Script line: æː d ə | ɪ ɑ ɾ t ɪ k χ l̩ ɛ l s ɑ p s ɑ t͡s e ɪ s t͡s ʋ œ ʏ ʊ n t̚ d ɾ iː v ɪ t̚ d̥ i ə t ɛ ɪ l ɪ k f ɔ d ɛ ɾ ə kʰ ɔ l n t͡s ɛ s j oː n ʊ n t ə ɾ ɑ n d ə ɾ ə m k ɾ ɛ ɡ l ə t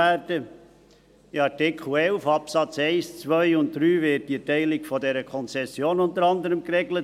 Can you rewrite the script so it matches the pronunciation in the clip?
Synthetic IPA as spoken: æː d ə | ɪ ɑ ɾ t ɪ k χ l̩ ɛ l f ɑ p s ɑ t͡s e ɪ s t͡s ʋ œ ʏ ʊ n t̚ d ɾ yː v ɪ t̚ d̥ i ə t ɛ ɪ l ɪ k f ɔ d ɛ ɾ ə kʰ ɔ n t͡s ɛ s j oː n ʊ n t ə ɾ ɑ n d ə ɾ ə m k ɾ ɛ ɡ l ə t